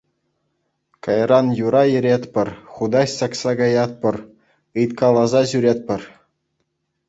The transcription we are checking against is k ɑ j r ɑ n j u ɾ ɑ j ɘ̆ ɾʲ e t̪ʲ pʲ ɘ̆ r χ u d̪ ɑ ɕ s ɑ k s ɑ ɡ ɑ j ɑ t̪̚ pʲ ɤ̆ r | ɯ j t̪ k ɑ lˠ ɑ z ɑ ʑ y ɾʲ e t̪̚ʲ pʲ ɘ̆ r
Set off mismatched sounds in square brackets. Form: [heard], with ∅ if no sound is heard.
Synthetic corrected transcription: k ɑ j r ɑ n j u ɾ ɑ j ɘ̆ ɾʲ e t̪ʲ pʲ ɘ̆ r χ u d̪ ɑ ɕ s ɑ k s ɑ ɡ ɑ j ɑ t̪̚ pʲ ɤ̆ r | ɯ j t̪ k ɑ lˠ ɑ z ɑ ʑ y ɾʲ e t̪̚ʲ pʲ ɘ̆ r